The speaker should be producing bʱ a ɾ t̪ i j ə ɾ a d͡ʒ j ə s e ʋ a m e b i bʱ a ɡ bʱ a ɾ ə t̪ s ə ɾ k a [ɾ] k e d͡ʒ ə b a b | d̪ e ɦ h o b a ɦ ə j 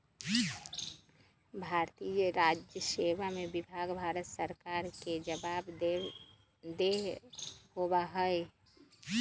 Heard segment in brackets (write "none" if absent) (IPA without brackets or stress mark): ɾ